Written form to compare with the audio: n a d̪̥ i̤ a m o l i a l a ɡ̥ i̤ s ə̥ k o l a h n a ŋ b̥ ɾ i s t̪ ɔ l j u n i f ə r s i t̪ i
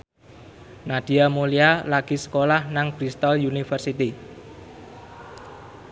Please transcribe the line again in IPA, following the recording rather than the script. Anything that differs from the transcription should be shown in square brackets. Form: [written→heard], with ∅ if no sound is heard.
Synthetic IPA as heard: n a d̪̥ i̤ a m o l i a l a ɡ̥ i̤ s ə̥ k o l a h n a ŋ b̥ ɾ i s t̪ ɔ l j u n i f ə r s i t̪ i